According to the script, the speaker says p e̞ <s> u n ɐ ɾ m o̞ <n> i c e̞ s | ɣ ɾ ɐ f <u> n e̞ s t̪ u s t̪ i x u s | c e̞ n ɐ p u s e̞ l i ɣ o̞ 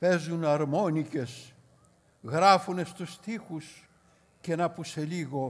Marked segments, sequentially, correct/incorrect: incorrect, correct, correct

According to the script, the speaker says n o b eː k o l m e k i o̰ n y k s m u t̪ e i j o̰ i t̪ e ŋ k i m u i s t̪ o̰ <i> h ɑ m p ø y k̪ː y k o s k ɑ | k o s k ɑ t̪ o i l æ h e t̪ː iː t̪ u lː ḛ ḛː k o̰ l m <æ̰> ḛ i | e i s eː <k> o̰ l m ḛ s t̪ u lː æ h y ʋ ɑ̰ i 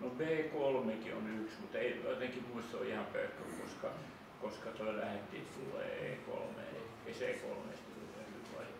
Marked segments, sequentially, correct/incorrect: correct, incorrect, correct

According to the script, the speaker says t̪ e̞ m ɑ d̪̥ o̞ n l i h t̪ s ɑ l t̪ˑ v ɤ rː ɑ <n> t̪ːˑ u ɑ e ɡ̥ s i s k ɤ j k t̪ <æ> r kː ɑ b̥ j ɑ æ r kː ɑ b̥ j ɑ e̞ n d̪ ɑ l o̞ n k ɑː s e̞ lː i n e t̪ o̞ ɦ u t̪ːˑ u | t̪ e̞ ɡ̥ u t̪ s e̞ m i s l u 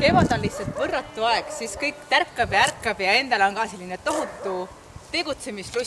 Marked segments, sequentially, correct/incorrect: incorrect, correct

